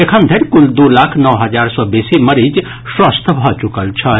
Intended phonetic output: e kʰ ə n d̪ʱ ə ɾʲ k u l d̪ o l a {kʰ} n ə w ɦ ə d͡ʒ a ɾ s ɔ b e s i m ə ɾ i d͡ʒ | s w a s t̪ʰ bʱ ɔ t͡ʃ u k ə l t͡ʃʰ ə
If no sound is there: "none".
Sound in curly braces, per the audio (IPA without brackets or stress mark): kʰ